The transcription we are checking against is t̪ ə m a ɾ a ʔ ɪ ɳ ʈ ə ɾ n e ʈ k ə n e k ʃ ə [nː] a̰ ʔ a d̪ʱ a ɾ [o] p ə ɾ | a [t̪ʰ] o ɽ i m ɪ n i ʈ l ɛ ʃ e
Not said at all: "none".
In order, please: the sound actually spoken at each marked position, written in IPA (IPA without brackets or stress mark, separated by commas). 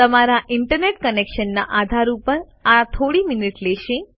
nː, u, t̪ʰ